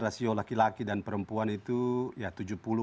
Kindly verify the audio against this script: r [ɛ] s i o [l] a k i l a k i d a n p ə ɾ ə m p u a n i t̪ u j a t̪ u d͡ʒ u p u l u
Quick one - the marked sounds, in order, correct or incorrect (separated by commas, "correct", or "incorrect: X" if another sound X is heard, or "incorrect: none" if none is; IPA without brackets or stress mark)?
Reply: incorrect: a, correct